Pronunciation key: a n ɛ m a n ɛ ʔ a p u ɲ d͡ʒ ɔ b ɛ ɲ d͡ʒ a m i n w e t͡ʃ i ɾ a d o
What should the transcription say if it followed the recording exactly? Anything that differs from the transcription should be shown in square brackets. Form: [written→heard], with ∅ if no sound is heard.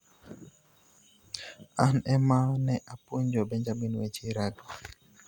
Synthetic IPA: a n ɛ m a n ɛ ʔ a p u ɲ d͡ʒ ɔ b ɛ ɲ d͡ʒ a m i n w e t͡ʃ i ɾ a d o

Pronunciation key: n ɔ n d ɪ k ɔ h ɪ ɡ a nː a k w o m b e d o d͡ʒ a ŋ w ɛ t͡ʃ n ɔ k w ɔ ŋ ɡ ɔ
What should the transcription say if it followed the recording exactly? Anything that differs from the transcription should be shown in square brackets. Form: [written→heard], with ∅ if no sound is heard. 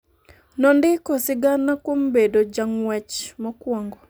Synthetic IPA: n ɔ n d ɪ k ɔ [h→s] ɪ ɡ a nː a k w o m b e d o d͡ʒ a ŋ w ɛ t͡ʃ [n→m] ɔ k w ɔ ŋ ɡ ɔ

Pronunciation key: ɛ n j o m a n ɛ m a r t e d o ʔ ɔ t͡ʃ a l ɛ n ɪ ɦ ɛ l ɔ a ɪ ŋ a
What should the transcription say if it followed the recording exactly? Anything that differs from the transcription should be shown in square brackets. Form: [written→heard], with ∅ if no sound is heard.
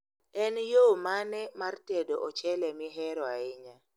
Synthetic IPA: ɛ n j o m a n ɛ m a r t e d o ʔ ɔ t͡ʃ [a→ɛ] l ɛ [n→m] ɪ ɦ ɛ [l→ɾ] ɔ a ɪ [ŋ→ɲ] a

